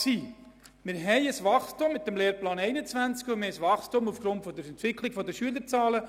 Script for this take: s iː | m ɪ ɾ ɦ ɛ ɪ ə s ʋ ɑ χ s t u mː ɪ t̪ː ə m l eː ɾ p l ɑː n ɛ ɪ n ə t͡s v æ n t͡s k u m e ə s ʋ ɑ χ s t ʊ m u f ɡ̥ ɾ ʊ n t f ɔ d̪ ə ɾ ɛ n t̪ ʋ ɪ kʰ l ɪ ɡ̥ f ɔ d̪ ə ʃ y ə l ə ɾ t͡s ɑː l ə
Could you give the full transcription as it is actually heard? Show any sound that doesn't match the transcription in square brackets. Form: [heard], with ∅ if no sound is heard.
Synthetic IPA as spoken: s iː | m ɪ ɾ ɦ ɛ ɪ ə s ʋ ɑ χ s t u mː ɪ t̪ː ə m l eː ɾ p l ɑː n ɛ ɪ n ə t͡s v æ n t͡s k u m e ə s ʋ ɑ χ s t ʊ m u f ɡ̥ ɾ ʊ n t f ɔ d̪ ə ɾ ɛ n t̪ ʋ ɪ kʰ l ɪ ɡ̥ f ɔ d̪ ə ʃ y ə l ə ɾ t͡s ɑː l ə